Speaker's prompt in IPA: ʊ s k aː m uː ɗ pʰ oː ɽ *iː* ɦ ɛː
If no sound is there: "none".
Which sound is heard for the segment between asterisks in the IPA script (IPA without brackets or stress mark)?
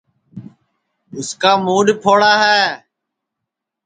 aː